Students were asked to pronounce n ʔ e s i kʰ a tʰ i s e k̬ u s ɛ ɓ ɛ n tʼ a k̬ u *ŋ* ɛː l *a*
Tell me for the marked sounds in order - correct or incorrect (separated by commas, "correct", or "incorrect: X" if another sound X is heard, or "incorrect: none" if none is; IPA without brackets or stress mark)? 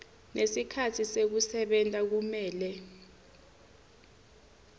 incorrect: m, incorrect: ɛ